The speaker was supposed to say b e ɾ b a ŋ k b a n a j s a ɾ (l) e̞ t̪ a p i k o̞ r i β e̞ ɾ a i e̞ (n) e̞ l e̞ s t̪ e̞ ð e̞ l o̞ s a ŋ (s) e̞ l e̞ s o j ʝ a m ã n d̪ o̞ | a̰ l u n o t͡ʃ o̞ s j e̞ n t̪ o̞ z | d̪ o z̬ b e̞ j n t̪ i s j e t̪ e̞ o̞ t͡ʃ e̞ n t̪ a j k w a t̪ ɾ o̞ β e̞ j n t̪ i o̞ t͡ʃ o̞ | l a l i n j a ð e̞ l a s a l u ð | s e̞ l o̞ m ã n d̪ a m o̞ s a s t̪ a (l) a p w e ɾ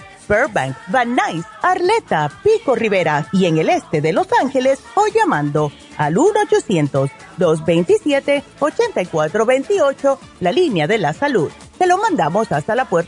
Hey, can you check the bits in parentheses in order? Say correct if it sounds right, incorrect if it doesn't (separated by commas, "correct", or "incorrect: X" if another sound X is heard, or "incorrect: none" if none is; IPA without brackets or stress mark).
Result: correct, incorrect: ŋ, incorrect: x, correct